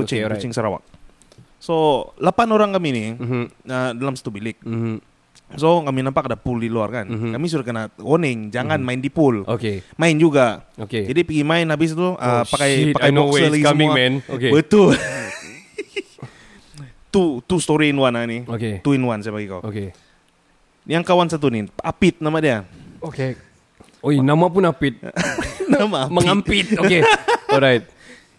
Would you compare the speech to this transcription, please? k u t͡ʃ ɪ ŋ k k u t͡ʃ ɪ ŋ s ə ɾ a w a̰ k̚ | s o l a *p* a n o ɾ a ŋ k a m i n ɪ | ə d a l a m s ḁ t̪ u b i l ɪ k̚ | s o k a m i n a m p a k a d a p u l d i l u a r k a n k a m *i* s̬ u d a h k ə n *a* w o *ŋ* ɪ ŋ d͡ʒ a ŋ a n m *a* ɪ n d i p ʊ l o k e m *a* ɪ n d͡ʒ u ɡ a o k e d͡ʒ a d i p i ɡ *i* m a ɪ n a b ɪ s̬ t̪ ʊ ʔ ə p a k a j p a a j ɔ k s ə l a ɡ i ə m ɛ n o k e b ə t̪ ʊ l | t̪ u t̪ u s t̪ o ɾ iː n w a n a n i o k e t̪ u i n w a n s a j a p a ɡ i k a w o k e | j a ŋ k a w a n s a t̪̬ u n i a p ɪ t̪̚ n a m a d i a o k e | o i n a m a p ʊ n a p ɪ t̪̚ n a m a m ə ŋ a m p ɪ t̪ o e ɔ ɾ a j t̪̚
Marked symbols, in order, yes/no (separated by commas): yes, yes, yes, no, yes, yes, yes